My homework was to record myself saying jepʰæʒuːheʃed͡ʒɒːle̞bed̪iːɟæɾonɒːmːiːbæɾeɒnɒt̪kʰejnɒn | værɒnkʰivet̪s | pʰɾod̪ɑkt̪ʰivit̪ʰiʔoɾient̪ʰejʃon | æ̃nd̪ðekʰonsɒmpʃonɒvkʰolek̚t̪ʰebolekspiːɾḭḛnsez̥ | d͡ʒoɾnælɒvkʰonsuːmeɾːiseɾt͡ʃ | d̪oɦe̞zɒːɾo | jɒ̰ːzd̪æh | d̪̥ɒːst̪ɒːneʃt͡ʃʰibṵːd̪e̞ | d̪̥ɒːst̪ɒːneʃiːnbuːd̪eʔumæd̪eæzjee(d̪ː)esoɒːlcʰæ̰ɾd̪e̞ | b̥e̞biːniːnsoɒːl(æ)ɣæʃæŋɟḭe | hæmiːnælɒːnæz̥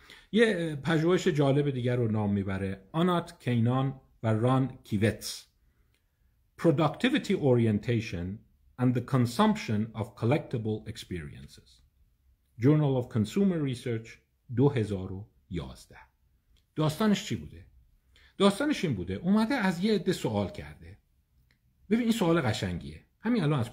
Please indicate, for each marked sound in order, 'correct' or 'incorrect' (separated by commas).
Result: correct, incorrect